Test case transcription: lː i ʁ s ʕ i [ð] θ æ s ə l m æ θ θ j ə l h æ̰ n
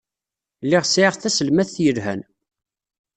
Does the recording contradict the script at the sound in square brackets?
yes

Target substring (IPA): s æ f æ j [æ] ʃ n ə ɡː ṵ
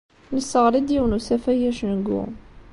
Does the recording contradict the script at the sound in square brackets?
no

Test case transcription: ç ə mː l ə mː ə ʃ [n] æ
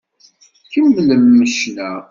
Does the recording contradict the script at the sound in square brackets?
no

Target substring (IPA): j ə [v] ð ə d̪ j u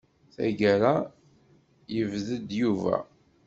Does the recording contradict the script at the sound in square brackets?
no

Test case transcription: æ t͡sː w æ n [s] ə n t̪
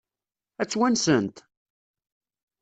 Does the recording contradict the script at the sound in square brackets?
no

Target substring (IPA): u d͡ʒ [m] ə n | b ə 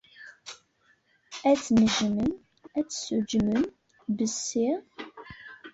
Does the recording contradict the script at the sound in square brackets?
no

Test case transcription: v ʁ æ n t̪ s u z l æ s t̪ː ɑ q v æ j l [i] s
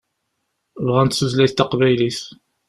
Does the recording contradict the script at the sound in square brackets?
no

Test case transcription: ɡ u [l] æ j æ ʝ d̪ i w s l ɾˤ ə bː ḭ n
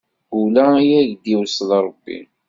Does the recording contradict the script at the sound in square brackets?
no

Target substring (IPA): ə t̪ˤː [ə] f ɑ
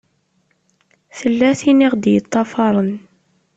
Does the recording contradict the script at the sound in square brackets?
yes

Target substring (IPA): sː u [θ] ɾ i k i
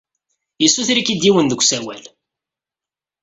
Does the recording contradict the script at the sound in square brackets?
no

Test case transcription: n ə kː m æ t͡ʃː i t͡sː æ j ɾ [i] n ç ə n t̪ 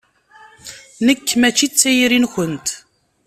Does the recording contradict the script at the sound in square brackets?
no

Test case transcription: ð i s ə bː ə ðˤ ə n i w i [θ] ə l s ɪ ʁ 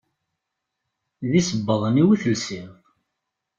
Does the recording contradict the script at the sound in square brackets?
no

